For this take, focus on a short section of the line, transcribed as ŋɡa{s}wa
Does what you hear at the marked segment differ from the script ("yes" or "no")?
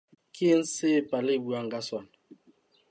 no